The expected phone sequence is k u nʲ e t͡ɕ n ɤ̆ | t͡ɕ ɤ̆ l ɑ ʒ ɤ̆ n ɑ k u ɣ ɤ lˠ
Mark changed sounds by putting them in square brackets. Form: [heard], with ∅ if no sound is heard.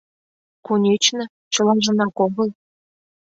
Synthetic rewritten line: k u nʲ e t͡ɕ n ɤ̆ | t͡ɕ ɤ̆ l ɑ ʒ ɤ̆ n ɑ k [o] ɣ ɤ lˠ